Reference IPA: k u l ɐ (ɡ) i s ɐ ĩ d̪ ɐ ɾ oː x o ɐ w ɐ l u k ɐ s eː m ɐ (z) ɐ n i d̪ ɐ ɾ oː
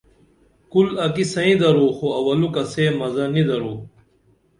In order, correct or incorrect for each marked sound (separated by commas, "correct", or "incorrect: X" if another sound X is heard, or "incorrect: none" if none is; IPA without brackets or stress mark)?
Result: incorrect: k, correct